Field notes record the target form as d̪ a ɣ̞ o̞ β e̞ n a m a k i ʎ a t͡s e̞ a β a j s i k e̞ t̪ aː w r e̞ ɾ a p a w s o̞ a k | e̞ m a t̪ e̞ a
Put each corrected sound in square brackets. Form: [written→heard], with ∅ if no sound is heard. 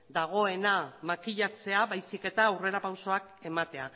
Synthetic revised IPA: d̪ a ɣ̞ o̞ [β→∅] e̞ n a m a k i ʎ a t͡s e̞ a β a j s i k e̞ t̪ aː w r e̞ ɾ a p a w s o̞ a k | e̞ m a t̪ e̞ a